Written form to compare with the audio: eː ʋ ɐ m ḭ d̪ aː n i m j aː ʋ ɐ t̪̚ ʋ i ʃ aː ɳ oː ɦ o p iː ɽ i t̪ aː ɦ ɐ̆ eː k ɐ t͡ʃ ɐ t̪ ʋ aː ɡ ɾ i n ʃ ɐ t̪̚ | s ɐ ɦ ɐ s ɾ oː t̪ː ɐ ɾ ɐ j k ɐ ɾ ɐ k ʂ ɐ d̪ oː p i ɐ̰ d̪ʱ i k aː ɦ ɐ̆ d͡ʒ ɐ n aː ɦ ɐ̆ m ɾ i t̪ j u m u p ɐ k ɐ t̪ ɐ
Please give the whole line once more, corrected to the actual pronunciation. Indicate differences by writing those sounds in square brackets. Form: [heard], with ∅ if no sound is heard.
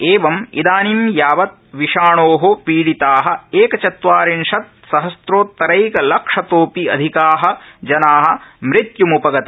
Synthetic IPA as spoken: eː ʋ ɐ m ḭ d̪ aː n i m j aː ʋ ɐ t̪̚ ʋ i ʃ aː ɳ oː ɦ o p iː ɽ i t̪ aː ɦ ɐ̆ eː k ɐ t͡ʃ ɐ t̪ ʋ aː [∅] ɾ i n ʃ ɐ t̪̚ | s ɐ ɦ ɐ s ɾ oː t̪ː ɐ ɾ ɐ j k ɐ [l] ɐ k ʂ ɐ [t̪] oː p i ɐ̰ d̪ʱ i k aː ɦ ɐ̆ d͡ʒ ɐ n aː ɦ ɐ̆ m ɾ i t̪ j u m u p ɐ [ɡ] ɐ t̪ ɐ